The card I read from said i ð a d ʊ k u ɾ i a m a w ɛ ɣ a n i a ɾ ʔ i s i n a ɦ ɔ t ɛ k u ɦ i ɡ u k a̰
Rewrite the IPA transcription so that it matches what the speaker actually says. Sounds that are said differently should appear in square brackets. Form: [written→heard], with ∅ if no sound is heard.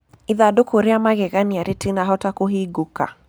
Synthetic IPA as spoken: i ð a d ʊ k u ɾ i a m a [w→ɣ] ɛ ɣ a n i a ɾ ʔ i [s→t] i n a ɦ ɔ t [ɛ→a] k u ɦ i ɡ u k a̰